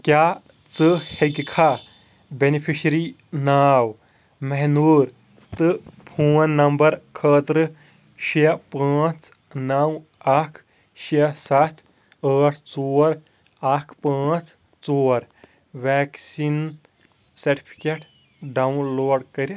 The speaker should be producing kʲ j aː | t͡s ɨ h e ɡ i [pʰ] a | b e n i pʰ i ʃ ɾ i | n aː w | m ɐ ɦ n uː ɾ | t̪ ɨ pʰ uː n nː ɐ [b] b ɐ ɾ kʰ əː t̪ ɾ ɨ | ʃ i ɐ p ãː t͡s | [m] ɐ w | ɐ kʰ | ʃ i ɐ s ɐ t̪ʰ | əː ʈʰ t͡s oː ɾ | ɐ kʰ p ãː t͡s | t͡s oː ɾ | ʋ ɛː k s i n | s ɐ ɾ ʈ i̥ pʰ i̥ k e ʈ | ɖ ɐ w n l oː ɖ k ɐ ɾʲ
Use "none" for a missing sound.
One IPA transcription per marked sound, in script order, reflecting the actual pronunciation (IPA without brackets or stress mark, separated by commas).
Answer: kʰ, m, n